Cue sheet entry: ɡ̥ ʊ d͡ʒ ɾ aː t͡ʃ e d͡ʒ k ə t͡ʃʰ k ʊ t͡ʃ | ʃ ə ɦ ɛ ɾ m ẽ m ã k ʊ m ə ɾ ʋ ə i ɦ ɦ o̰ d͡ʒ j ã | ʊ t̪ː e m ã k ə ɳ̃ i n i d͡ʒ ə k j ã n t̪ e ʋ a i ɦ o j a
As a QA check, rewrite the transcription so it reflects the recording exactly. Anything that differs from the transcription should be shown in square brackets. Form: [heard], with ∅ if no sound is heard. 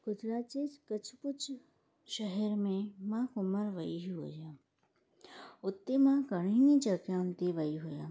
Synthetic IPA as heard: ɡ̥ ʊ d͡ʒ ɾ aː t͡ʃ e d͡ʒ k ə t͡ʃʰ [p] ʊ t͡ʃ | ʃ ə ɦ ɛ ɾ m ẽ m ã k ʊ m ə ɾ ʋ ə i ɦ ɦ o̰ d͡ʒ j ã | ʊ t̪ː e m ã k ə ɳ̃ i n i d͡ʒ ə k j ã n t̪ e ʋ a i ɦ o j a